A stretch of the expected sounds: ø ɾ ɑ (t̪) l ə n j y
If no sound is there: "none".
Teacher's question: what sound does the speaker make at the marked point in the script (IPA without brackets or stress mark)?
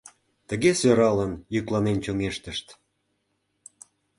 none